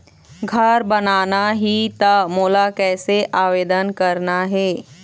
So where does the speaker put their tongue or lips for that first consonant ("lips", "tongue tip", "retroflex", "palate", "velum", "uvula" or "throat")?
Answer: velum